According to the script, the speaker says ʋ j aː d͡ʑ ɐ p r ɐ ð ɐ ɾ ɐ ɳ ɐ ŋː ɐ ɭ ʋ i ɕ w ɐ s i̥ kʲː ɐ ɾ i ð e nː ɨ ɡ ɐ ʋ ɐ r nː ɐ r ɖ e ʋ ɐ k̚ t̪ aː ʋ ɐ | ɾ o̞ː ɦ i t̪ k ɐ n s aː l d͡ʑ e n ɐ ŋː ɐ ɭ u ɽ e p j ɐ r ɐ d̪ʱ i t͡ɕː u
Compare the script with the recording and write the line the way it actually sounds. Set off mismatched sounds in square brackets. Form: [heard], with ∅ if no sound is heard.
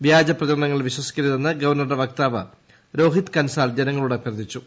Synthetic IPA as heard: ʋ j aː d͡ʑ ɐ p r ɐ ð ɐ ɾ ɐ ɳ ɐ ŋː ɐ ɭ ʋ i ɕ w ɐ s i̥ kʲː ɐ ɾ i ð e nː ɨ ɡ ɐ ʋ ɐ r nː ɐ r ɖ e ʋ ɐ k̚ t̪ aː ʋ ɐ | ɾ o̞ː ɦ i t̪ k ɐ n s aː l d͡ʑ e n ɐ ŋː ɐ ɭ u ɽ e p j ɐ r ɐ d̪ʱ i t͡ɕː u